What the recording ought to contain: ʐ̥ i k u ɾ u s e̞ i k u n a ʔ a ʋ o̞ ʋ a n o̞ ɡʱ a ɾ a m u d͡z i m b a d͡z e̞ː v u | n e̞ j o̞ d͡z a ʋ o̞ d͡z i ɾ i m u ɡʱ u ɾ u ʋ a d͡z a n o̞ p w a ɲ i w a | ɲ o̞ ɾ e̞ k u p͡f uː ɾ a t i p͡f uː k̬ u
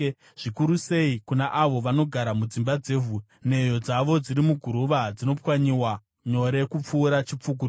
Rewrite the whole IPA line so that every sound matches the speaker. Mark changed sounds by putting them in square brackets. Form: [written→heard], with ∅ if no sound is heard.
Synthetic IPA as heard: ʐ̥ i k u ɾ u s e̞ i k u n a ʔ a ʋ o̞ ʋ a n o̞ ɡʱ a ɾ a m u d͡z i m b a d͡z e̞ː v u | n e̞ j o̞ d͡z a ʋ o̞ d͡z i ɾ i m u ɡʱ u ɾ u ʋ a d͡z [a→i] n o̞ p w a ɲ i w a | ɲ o̞ ɾ e̞ k u p͡f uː ɾ a [t→t͡ʃ] i p͡f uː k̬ u

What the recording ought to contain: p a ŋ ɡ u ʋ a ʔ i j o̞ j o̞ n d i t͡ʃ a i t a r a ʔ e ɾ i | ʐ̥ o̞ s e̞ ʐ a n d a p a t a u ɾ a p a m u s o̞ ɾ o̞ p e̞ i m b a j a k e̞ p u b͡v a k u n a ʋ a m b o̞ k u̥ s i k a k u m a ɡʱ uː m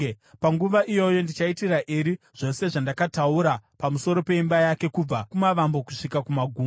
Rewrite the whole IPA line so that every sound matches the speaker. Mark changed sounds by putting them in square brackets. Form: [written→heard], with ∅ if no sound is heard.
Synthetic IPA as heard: p a ŋ ɡ u ʋ a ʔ i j o̞ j o̞ n d i t͡ʃ a i t [a→i] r a ʔ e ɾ i | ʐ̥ o̞ s e̞ ʐ a n d a [p→k] a t a u ɾ a p a m u s o̞ ɾ o̞ p e̞ i m b a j a k e̞ [p→k] u b͡v a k u [n→m] a ʋ a m b o̞ k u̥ [s→ʂ] i k a k u m a ɡʱ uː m

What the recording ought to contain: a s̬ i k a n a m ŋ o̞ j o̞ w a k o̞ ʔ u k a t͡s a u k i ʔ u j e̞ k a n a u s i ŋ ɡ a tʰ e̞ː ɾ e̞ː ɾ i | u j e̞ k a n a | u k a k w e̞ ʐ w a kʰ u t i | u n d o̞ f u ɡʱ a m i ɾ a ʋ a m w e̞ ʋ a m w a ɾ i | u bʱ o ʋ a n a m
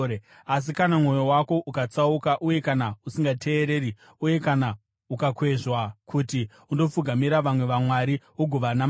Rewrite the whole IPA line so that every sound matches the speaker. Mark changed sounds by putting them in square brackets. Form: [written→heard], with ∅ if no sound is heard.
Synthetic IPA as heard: a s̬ i k a n a m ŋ o̞ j o̞ w a k o̞ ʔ u k a t͡s a u k [i→a] ʔ u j e̞ k a n a u s i ŋ ɡ a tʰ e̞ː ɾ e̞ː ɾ i | u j e̞ k a n a | u k a k w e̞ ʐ w a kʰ u t i | u n d o̞ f u ɡʱ a m i ɾ a ʋ a m w e̞ ʋ a m w a ɾ i | u [bʱ→ɡʱ] o ʋ a n a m

